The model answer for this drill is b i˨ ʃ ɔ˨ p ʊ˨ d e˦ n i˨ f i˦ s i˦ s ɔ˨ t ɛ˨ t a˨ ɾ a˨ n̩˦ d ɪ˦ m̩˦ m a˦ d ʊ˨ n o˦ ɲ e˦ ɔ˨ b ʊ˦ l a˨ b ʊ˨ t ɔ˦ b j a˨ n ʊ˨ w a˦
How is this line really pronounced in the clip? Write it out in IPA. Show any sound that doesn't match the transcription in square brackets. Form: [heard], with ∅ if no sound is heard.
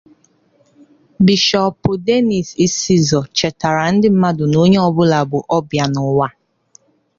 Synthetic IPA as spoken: b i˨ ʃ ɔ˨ p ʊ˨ d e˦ n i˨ [s] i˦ s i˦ [z] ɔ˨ [t͡ʃ] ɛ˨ t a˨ ɾ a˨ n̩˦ d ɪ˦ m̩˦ m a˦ d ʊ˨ n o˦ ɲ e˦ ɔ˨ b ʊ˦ l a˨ b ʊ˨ [ʔ] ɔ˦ b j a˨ n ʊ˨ w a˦